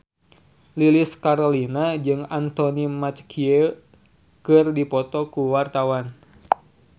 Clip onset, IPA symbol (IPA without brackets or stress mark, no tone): l